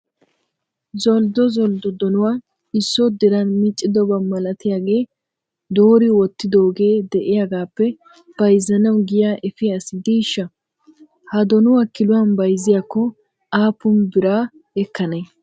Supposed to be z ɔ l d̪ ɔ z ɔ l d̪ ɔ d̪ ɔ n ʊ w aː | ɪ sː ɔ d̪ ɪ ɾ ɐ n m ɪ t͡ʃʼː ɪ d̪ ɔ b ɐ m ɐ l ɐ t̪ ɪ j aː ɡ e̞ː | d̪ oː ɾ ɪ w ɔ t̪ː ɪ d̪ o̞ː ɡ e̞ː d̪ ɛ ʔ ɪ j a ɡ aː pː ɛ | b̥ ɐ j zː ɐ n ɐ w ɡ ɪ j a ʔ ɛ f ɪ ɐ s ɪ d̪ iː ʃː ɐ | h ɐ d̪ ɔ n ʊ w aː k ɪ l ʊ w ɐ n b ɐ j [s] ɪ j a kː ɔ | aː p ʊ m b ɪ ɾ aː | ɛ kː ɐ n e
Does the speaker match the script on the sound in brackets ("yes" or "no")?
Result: no